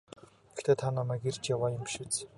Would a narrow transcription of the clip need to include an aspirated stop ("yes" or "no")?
yes